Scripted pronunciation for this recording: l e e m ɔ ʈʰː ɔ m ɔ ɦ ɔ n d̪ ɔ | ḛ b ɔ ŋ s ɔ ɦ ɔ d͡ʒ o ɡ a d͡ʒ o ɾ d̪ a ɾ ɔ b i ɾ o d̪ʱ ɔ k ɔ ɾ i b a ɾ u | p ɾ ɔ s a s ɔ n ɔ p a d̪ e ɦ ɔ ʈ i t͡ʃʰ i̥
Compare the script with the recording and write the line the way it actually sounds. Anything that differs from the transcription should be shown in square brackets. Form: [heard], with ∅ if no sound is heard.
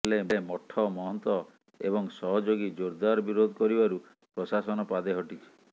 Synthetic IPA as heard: l e e m ɔ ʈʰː ɔ m ɔ ɦ ɔ n [t̪] ɔ | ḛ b ɔ ŋ s ɔ ɦ ɔ d͡ʒ o ɡ [i] d͡ʒ o ɾ d̪ a ɾ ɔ b i ɾ o d̪ʱ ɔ k ɔ ɾ i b a ɾ u | p ɾ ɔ s a s ɔ n ɔ p a d̪ e ɦ ɔ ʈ i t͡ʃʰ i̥

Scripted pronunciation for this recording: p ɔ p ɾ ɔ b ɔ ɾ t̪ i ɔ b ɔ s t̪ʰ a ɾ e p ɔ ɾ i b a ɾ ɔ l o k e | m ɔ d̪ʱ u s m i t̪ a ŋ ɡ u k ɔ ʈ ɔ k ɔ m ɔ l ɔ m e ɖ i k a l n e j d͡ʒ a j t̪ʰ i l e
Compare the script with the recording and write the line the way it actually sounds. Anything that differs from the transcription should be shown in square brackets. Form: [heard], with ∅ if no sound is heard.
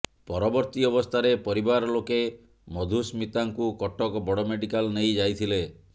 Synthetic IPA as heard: p ɔ [∅] ɾ ɔ b ɔ ɾ t̪ i ɔ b ɔ s t̪ʰ a ɾ e p ɔ ɾ i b a ɾ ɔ l o k e | m ɔ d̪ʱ u s m i t̪ a ŋ [k] u k ɔ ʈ ɔ k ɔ [b] ɔ [ɽ] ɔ m e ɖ i k a l n e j d͡ʒ a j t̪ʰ i l e

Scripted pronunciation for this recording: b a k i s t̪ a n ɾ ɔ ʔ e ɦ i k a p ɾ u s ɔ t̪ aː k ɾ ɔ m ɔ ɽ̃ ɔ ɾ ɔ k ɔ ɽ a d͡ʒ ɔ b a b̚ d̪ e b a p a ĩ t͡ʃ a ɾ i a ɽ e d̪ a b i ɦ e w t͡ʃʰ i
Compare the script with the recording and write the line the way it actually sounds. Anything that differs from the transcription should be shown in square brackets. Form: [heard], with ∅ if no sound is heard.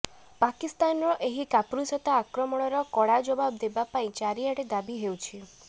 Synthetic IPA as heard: [p] a k i s t̪ a n ɾ ɔ ʔ e ɦ i k a p ɾ u s ɔ t̪ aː k ɾ ɔ m ɔ ɽ̃ ɔ ɾ ɔ k ɔ ɽ a d͡ʒ ɔ b a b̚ d̪ e b a p a ĩ t͡ʃ a ɾ i a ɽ e d̪ a b i ɦ e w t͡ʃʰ i

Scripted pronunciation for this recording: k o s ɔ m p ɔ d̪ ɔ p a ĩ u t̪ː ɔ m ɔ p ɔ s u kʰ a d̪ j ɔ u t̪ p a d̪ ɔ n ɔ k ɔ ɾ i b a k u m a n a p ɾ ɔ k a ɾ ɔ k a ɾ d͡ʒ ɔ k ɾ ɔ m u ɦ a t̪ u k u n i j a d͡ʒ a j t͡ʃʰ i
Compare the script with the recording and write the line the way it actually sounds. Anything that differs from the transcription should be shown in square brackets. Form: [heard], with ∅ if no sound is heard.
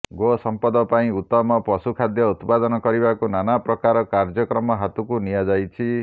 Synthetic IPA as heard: [ɡ] o s ɔ m p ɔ d̪ ɔ p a ĩ u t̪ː ɔ m ɔ p ɔ s u kʰ a d̪ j ɔ u t̪ p a d̪ ɔ n ɔ k ɔ ɾ i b a k u [n] a n a p ɾ ɔ k a ɾ ɔ k a ɾ d͡ʒ ɔ k ɾ ɔ m [ɔ] ɦ a t̪ u k u n i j a d͡ʒ a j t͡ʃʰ i

